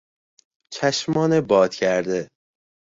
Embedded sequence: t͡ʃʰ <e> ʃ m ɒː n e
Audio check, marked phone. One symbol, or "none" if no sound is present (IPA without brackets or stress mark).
æ